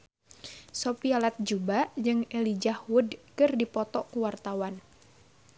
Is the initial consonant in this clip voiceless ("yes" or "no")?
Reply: yes